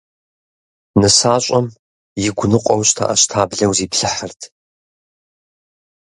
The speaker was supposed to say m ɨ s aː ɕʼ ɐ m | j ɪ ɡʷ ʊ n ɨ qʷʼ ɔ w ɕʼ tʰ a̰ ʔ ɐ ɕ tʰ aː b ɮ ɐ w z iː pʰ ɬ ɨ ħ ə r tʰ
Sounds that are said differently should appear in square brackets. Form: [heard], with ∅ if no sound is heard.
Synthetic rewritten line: [n] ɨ s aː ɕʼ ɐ m | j ɪ ɡʷ ʊ n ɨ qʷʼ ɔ w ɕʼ tʰ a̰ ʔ ɐ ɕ tʰ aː b ɮ ɐ w z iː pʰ ɬ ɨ ħ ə r tʰ